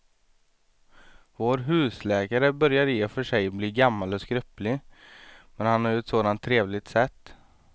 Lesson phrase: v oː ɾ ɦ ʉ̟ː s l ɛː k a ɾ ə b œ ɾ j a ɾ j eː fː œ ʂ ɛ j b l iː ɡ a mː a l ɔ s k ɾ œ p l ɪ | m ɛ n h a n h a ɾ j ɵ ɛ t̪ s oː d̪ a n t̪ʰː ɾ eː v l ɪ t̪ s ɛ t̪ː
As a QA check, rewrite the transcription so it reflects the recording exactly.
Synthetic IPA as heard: v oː ɾ ɦ ʉ̟ː s l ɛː k a ɾ ə b œ ɾ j a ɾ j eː f œ ʂ ɛ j b l iː ɡ a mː a l ɔ s k ɾ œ p l ɪ | m ɛ n h a n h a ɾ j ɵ ɛ t̪ s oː d̪ a n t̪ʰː ɾ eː v l ɪ t̪ s ɛ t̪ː